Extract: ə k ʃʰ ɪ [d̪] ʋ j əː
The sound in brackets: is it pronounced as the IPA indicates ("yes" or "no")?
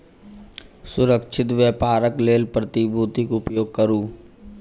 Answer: no